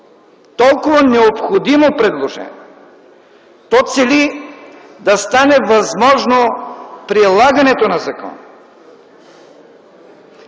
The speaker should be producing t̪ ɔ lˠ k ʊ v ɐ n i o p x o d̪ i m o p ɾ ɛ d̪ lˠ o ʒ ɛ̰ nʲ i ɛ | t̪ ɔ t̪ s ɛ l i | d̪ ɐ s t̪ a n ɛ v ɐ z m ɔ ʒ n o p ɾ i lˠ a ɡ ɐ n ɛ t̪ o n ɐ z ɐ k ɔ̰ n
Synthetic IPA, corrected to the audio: t̪ ɔ lˠ k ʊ v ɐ n ɛ o p x o d̪ i m o p ɾ ɛ d̪ lˠ o ʒ ɛ̰ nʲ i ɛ | t̪ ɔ t̪ s ɛ l i | d̪ ɐ s t̪ a n ɛ v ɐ z m ɔ ʒ n o p ɾ i lˠ a ɡ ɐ n ɛ t̪ o n ɐ z ɐ k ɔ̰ n